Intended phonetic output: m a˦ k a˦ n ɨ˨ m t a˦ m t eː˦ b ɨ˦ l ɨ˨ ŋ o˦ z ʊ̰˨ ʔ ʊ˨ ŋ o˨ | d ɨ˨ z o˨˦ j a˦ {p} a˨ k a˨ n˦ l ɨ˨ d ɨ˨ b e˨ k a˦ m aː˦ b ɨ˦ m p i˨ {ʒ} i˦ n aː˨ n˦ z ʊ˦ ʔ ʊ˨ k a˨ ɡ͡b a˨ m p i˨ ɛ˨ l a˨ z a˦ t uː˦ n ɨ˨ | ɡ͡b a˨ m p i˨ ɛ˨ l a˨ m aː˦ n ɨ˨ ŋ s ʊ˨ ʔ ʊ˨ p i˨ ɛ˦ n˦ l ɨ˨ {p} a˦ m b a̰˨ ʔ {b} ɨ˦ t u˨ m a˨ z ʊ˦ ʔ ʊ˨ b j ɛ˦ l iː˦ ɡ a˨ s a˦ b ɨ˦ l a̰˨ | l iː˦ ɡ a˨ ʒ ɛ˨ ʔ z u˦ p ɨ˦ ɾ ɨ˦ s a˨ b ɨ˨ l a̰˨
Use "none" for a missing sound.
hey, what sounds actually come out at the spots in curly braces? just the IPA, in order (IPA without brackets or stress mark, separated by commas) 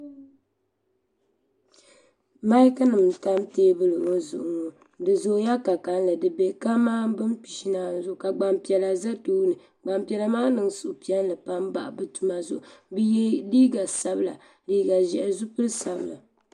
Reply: k, ʃ, p, b